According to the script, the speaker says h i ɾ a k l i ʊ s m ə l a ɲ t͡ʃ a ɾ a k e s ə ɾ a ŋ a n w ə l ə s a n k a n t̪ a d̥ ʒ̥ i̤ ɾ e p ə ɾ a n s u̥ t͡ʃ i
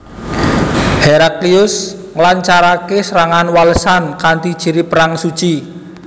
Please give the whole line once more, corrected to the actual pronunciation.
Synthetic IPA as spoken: h e ɾ a k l i ʊ s ŋ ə l a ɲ t͡ʃ a ɾ a k e s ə ɾ a ŋ a n w a l ə s a n k a n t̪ i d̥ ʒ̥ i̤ ɾ i p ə ɾ a ŋ s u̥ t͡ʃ i